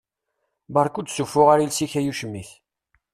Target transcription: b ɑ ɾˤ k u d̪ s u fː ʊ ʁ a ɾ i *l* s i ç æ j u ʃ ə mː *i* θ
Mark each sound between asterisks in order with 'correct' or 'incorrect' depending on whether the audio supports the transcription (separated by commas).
correct, correct